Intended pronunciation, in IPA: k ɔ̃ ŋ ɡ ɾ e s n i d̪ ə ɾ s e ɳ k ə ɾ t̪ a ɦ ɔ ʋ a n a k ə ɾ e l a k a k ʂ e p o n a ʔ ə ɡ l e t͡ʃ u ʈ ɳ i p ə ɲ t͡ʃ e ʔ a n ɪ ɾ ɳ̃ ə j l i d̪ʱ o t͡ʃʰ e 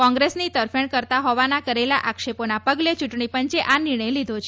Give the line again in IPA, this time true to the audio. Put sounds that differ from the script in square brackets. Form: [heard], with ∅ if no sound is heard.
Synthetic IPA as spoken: k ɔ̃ ŋ ɡ ɾ e s n i [t̪] ə ɾ [f] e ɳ k ə ɾ t̪ a ɦ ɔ ʋ a n a k ə ɾ e l a [ʔ] a k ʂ e p o n a [p] ə ɡ l e t͡ʃ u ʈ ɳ i p ə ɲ t͡ʃ e ʔ a n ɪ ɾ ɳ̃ ə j l i d̪ʱ o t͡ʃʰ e